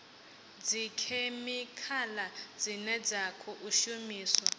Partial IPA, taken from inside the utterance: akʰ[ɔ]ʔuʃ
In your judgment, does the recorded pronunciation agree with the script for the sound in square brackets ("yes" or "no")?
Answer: yes